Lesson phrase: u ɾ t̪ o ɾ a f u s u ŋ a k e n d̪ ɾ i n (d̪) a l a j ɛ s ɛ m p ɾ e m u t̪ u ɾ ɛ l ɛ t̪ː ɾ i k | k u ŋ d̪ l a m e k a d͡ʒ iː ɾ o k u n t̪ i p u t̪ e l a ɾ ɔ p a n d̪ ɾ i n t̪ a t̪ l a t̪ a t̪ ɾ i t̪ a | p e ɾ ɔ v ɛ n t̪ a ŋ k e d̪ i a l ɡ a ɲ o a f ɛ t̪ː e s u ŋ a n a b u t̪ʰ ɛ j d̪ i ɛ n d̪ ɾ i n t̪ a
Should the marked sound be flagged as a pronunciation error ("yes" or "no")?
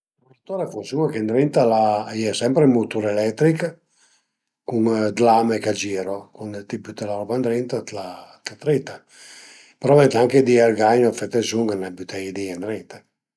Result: yes